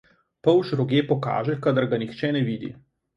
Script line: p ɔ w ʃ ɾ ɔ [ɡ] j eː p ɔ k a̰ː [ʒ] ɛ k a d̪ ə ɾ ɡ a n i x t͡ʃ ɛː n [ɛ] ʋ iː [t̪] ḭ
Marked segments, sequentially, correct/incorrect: correct, correct, correct, incorrect

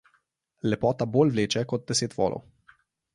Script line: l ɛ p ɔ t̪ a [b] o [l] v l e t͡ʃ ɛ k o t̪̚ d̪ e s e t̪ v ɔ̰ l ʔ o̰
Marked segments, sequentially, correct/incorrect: correct, correct

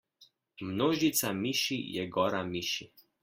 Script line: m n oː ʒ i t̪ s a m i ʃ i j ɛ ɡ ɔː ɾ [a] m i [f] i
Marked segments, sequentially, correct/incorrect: correct, incorrect

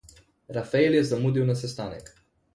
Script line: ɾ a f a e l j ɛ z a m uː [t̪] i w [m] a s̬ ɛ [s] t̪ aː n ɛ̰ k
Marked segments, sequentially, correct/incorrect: incorrect, incorrect, correct

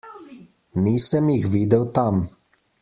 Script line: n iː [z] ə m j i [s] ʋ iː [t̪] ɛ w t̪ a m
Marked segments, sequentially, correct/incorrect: incorrect, incorrect, incorrect

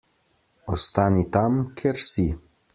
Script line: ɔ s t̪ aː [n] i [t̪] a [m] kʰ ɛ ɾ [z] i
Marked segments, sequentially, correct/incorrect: correct, correct, correct, incorrect

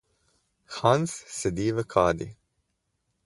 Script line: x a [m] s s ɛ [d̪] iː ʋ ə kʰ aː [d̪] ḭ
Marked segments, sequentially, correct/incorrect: incorrect, correct, correct

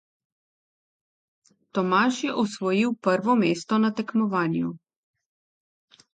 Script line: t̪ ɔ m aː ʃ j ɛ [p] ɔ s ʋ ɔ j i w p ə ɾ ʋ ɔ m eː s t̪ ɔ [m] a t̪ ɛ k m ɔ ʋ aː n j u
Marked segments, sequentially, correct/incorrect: incorrect, incorrect

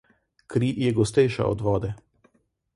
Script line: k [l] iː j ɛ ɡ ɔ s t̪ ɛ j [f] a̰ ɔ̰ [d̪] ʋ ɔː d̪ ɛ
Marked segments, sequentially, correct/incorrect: incorrect, incorrect, correct

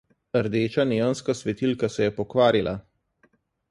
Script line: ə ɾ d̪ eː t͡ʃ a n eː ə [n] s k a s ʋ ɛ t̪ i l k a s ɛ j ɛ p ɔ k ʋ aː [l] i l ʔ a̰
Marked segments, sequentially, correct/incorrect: correct, incorrect

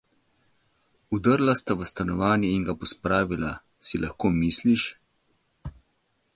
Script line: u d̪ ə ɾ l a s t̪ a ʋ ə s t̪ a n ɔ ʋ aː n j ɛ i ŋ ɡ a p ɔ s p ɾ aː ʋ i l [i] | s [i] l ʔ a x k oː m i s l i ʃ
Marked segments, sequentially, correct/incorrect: incorrect, correct

